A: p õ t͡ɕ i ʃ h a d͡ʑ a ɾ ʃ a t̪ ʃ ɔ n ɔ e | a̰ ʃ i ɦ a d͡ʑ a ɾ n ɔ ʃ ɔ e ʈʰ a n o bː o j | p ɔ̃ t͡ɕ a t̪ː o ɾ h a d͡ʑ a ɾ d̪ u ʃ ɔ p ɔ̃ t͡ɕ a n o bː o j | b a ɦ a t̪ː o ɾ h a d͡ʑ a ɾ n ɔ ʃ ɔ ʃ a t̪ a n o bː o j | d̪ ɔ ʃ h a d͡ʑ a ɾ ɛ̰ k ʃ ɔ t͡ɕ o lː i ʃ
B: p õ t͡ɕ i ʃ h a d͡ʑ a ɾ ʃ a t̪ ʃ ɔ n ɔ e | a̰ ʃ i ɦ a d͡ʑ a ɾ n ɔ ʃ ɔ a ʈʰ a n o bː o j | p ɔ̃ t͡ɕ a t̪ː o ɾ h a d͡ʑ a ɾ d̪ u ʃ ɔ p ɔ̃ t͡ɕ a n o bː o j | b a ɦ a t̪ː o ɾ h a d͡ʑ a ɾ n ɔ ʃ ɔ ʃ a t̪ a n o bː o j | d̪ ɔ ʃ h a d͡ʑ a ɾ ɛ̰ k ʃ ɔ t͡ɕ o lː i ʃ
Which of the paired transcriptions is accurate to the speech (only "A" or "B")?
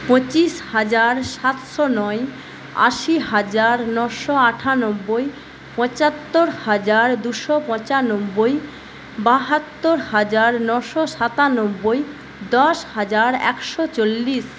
B